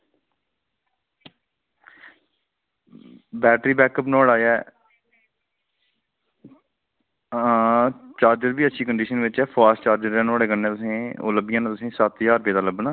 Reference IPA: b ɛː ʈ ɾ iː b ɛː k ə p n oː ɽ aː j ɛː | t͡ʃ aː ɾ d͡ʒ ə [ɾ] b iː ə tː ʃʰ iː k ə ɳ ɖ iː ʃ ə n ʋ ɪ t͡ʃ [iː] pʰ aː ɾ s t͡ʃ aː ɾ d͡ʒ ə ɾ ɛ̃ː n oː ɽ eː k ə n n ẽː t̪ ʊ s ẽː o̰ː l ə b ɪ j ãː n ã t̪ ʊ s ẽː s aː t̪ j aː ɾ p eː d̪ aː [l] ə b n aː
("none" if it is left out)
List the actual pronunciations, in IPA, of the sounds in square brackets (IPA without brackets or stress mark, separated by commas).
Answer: ɾ, ɛː, l